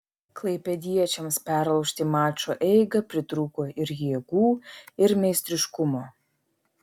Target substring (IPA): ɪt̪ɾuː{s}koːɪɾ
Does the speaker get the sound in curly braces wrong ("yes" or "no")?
yes